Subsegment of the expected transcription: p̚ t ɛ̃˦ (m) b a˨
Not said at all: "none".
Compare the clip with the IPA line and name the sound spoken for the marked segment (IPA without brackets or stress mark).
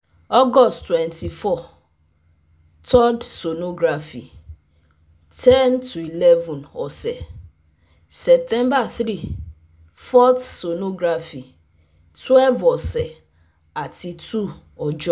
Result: m